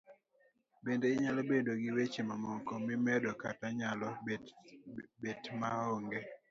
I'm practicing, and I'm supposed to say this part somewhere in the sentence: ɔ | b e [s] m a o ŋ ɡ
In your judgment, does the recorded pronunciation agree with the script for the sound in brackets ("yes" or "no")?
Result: no